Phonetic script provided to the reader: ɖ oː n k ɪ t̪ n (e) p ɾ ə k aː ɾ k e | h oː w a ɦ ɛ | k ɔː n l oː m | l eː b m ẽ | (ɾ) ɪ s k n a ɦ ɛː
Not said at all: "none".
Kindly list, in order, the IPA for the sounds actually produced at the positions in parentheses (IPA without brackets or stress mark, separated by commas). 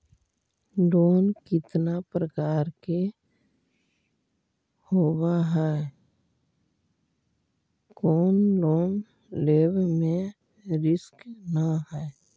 a, ɾ